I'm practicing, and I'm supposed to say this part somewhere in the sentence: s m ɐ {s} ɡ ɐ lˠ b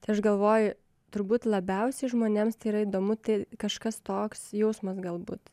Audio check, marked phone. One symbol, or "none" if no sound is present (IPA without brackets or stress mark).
s